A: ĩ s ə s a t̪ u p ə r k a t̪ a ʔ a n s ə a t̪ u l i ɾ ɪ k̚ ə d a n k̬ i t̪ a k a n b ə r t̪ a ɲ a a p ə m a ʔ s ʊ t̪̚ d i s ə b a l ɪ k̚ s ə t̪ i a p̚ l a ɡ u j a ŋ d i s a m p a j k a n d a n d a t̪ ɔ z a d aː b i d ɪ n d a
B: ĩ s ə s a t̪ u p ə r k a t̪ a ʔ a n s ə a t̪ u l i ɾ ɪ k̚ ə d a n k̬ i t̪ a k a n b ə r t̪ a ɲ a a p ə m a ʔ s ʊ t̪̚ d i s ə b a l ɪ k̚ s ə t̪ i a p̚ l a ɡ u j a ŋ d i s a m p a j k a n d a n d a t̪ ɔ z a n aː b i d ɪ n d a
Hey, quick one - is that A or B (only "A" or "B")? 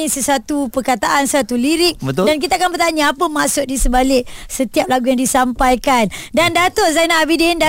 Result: B